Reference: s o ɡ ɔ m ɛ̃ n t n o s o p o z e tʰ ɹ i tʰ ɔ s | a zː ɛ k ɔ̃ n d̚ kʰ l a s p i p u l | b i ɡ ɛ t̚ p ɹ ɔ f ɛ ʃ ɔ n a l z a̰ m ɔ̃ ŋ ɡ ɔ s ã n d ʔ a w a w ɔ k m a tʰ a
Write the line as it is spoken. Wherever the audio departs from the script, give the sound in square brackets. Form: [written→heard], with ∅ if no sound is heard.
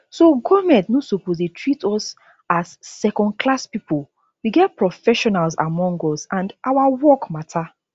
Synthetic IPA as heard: s o ɡ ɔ m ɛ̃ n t n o s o p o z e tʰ ɹ i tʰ ɔ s | a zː ɛ k ɔ̃ n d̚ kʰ l a s p i p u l | [b→w] i ɡ ɛ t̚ p ɹ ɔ f ɛ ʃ ɔ n a l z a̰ m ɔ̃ ŋ ɡ ɔ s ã n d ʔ a w a w ɔ k m a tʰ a